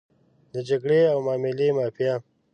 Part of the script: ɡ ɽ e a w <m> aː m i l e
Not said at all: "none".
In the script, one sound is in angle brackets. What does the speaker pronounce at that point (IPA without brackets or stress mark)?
m